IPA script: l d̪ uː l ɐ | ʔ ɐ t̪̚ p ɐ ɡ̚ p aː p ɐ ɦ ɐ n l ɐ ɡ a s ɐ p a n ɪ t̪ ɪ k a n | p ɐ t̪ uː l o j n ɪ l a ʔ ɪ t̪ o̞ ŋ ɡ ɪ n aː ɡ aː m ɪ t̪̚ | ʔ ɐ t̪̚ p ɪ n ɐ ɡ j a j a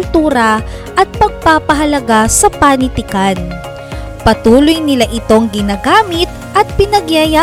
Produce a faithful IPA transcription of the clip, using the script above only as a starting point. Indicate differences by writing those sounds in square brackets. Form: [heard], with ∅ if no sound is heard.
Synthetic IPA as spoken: l [t̪] uː [ɾ] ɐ | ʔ ɐ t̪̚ p ɐ ɡ̚ p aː p ɐ ɦ ɐ [∅] l ɐ ɡ a s ɐ p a n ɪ t̪ ɪ k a n | p ɐ t̪ uː l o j n ɪ l a ʔ ɪ t̪ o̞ ŋ ɡ ɪ n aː ɡ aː m ɪ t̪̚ | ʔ ɐ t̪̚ p ɪ n ɐ ɡ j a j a